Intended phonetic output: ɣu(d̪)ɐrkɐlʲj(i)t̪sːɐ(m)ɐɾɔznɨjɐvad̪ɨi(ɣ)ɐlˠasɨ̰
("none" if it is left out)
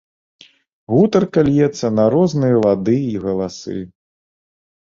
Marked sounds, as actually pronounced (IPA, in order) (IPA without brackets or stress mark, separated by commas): t̪, ɛ, n, ɣ